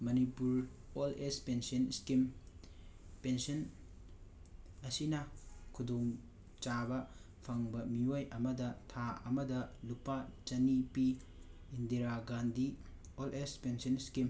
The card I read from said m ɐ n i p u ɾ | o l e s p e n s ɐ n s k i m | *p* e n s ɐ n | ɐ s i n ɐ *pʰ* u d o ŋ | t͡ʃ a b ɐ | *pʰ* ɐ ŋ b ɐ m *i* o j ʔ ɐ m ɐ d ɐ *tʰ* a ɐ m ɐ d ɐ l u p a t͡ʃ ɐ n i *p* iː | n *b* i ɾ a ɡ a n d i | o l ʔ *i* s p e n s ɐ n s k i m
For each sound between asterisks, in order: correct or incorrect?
correct, incorrect, correct, correct, correct, correct, incorrect, incorrect

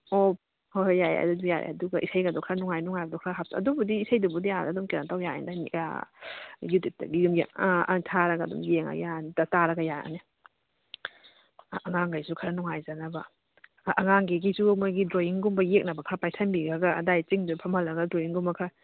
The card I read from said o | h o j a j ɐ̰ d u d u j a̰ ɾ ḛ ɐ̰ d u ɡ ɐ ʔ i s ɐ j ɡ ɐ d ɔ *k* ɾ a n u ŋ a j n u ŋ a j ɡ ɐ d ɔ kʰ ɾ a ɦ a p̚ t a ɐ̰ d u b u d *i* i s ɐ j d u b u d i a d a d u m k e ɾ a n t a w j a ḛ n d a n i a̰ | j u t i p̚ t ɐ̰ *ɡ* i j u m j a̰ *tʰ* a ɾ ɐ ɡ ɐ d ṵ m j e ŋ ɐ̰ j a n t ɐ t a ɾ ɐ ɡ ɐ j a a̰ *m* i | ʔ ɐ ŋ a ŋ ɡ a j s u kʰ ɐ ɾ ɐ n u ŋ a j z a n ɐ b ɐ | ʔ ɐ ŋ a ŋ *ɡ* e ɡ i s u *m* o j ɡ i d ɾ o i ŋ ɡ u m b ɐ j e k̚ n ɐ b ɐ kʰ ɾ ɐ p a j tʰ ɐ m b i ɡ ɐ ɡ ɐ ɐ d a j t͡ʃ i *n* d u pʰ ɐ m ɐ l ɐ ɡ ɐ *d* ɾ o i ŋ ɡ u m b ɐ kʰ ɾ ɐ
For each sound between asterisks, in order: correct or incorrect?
incorrect, correct, correct, correct, incorrect, correct, correct, incorrect, correct

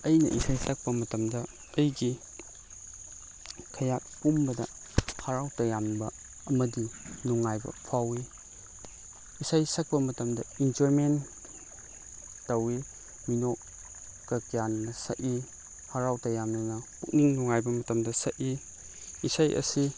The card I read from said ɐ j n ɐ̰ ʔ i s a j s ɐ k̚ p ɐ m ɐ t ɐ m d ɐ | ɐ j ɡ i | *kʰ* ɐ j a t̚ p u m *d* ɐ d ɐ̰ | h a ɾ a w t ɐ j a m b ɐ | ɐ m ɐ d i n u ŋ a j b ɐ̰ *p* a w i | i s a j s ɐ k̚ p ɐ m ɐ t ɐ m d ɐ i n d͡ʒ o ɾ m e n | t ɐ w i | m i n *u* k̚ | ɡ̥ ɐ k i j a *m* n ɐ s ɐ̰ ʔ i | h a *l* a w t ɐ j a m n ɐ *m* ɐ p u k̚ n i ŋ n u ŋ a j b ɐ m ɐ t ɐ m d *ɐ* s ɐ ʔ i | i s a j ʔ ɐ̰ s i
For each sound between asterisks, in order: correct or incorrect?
correct, incorrect, incorrect, incorrect, incorrect, incorrect, incorrect, correct

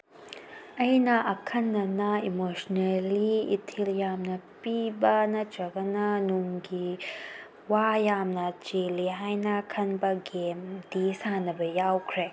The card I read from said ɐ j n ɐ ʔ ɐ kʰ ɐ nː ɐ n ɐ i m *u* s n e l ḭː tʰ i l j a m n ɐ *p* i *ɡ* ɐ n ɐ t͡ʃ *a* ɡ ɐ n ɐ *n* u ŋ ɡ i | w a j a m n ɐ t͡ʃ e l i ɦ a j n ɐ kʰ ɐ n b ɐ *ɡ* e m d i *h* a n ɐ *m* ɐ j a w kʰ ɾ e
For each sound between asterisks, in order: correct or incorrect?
incorrect, correct, incorrect, incorrect, correct, correct, incorrect, incorrect

